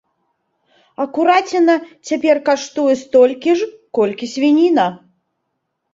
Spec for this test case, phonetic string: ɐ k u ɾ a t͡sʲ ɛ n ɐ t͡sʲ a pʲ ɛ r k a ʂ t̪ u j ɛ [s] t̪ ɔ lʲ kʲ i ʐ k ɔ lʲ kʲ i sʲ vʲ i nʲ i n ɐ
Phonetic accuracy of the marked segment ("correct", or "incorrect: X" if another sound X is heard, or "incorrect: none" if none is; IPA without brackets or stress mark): correct